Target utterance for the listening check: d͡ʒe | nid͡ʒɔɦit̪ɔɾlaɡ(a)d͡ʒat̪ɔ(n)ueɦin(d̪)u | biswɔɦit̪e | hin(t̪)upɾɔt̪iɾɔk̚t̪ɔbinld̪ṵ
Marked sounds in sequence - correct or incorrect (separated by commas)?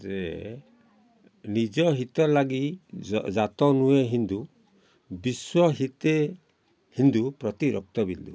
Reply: incorrect, correct, correct, incorrect